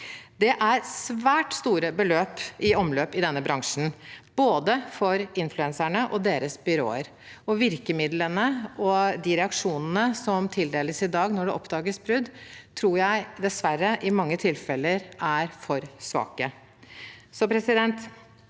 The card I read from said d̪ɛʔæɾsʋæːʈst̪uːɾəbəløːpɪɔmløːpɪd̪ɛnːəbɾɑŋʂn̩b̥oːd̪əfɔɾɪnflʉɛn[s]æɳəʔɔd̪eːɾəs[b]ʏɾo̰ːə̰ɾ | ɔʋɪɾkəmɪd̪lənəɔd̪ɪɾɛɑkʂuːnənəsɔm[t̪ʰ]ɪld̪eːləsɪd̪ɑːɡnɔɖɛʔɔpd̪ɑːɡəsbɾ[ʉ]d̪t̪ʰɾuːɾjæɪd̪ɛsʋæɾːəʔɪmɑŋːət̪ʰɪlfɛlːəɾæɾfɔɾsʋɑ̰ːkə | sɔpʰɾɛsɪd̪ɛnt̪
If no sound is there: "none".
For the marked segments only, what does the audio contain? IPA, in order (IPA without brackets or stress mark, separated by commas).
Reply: s, b, t̪ʰ, ʉ